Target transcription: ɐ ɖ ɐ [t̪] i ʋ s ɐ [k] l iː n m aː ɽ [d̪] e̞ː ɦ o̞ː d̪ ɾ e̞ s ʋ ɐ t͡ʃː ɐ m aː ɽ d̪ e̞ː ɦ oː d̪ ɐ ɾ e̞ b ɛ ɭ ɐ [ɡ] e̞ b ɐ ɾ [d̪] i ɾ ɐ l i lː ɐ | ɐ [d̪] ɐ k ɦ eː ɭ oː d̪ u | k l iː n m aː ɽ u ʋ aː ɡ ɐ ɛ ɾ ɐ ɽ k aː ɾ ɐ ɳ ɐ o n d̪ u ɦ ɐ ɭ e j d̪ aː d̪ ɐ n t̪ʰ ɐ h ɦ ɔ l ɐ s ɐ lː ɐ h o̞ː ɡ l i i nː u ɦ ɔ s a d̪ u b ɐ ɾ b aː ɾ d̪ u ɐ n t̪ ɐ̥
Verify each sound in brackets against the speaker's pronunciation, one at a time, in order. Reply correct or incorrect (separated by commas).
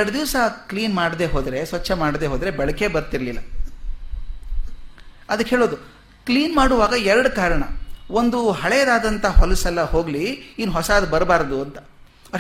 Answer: incorrect, correct, correct, incorrect, incorrect, correct